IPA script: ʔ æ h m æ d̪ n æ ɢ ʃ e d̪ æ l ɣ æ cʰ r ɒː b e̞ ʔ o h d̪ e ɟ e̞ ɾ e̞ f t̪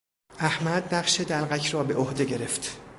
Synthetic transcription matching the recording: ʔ æ h m æ d̪ n æ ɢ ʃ e d̪ æ l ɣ æ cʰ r ɒː b e̞ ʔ o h d̪ e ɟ e̞ ɾ e̞ f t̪